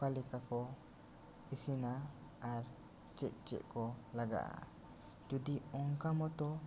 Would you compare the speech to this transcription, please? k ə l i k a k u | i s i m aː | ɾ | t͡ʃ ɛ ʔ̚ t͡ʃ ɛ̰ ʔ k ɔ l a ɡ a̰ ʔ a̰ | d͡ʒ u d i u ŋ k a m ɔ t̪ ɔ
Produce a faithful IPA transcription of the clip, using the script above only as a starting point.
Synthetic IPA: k a l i k a k ɔ | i s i n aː | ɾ | t͡ʃ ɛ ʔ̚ t͡ʃ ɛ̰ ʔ k ɔ l a ɡ a̰ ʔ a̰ | d͡ʒ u d i ɔ ŋ k a m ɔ t̪ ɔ